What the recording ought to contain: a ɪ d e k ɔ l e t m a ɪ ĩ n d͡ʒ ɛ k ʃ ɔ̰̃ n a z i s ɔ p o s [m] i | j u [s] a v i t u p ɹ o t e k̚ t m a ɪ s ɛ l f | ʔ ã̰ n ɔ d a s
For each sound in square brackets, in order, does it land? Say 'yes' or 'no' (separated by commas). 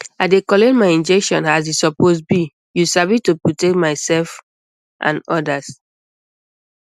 no, yes